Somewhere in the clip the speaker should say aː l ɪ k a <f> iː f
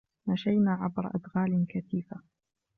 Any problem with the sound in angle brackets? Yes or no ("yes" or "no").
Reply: yes